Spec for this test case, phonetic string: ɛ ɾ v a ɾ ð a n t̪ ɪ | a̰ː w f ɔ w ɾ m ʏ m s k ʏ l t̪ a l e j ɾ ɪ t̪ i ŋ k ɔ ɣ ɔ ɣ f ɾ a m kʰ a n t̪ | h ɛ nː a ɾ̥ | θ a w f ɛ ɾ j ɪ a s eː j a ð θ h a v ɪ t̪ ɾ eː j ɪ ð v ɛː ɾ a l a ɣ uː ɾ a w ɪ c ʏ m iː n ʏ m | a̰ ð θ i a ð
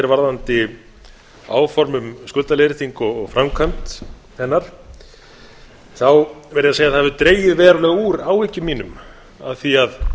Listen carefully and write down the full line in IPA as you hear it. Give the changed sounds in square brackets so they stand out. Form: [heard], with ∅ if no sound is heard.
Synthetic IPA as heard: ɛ ɾ v a ɾ ð a n t̪ ɪ | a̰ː w f ɔ [∅] ɾ m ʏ m s k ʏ l t̪ a l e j ɾ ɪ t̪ i ŋ k ɔ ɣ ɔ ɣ f ɾ a m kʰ a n t̪ | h ɛ nː a ɾ̥ | θ a w [v] ɛ ɾ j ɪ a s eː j a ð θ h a v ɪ t̪ ɾ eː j ɪ ð v ɛː ɾ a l [ɛ] ɣ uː ɾ a w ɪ c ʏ m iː n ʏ m | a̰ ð θ i a ð

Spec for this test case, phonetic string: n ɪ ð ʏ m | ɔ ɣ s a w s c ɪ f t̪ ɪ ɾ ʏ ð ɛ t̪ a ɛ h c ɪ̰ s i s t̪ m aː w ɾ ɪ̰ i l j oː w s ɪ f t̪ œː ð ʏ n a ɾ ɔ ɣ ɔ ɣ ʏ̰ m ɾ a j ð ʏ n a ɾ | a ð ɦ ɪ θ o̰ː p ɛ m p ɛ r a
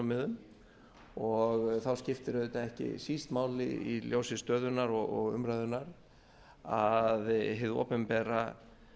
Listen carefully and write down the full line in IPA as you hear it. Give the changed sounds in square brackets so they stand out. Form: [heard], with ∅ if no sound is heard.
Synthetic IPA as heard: [m] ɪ ð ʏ m | ɔ ɣ [θ] a w s c ɪ f t̪ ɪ ɾ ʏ ð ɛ t̪ a ɛ h c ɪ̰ s i s t̪ m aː w [l] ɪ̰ i l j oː w s ɪ [s] t̪ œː ð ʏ n a ɾ ɔ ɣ ɔ ɣ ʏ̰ m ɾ a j ð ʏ n a ɾ | a ð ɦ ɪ [ð] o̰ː p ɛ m p ɛ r a

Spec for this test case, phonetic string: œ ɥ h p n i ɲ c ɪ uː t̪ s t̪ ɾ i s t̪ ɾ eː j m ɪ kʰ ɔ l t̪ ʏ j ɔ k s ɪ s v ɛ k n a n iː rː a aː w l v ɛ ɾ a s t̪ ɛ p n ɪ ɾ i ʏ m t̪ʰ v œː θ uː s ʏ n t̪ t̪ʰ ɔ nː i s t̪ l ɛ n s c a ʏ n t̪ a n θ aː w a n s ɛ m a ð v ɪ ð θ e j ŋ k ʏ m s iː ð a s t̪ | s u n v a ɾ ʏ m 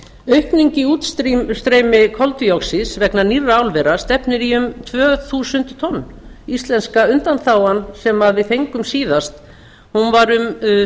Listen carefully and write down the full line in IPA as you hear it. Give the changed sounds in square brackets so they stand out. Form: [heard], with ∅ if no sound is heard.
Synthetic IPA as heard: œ ɥ h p n i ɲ c ɪ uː t̪ s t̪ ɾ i s t̪ ɾ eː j m ɪ kʰ ɔ l t̪ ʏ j ɔ k s ɪ s v ɛ k n a n [i] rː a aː w l v ɛ ɾ a s t̪ ɛ p n ɪ ɾ i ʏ m t̪ʰ v œː θ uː s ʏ n t̪ t̪ʰ ɔ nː i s t̪ l ɛ n s [k] a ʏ n t̪ a n θ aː w a n s ɛ m a ð v ɪ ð θ e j ŋ k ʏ m s iː ð a s t̪ | [h] u n v a ɾ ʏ m

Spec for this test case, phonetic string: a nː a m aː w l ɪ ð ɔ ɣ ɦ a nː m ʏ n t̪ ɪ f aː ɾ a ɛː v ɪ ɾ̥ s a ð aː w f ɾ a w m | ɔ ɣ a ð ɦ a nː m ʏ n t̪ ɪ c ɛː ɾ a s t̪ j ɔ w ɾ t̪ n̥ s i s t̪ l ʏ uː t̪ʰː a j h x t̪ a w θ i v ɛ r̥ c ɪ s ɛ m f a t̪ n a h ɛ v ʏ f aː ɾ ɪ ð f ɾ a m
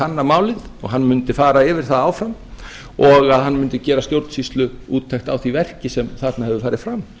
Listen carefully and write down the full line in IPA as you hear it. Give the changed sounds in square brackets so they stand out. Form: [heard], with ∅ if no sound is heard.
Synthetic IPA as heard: a nː a m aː w l ɪ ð ɔ ɣ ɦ a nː m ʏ n t̪ ɪ f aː ɾ a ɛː v ɪ ɾ̥ [θ] a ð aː w f ɾ a [∅] m | ɔ ɣ a ð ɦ a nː m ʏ n t̪ ɪ c ɛː ɾ a s t̪ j [o] w ɾ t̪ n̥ s i s t̪ l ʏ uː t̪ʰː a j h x t̪ a w θ i v ɛ r̥ c ɪ s ɛ m [θ] a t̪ n a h ɛ v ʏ f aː ɾ ɪ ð f ɾ a m

